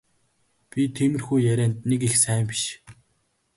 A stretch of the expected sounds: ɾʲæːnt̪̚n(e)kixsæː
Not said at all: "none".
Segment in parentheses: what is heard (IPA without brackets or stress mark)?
e